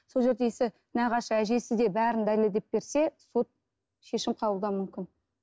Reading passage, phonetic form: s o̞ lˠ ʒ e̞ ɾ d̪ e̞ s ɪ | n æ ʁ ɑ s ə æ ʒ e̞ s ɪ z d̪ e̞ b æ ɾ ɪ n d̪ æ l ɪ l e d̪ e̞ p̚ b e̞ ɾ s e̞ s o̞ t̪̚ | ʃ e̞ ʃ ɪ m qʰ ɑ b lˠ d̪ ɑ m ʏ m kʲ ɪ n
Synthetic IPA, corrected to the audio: s o̞ lˠ ʒ e̞ ɾ d̪ e̞ s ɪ | n æ ʁ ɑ ʃ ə æ ʒ e̞ s ɪ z d̪ e̞ b æ ɾ ɪ n d̪ æ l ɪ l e d̪ e̞ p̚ b e̞ ɾ s e̞ s o̞ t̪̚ | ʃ e̞ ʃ ɪ m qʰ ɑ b lˠ d̪ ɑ m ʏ m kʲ ɪ n